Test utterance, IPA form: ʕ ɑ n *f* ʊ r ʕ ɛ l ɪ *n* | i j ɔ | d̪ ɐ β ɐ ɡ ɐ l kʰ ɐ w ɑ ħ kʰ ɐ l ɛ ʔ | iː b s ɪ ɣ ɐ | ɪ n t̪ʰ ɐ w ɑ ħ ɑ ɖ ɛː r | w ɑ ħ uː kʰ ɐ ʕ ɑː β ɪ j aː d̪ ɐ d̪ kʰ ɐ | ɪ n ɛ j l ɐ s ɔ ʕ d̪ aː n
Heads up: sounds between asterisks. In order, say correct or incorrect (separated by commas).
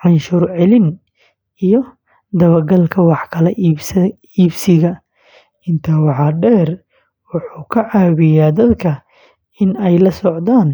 incorrect, correct